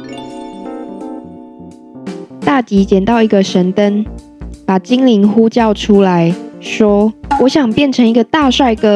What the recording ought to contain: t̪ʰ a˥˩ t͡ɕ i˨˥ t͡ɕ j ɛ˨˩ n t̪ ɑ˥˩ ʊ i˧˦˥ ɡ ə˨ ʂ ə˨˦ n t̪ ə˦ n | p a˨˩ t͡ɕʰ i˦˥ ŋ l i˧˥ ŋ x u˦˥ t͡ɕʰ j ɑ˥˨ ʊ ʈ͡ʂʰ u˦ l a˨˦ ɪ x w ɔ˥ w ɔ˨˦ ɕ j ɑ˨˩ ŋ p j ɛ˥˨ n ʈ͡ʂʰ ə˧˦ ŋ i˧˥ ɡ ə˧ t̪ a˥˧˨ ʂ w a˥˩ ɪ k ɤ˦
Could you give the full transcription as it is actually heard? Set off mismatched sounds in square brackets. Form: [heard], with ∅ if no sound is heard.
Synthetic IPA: [t̪] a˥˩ t͡ɕ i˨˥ t͡ɕ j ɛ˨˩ n t̪ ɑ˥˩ ʊ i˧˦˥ ɡ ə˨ ʂ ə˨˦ n t̪ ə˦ n | p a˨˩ [t͡ɕ] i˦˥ ŋ l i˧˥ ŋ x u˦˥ [t͡ɕ] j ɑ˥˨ ʊ ʈ͡ʂʰ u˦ l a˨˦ ɪ [ʂ] w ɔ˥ w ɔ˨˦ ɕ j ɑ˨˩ ŋ p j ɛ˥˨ n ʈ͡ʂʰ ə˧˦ ŋ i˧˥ ɡ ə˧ t̪ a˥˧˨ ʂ w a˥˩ ɪ k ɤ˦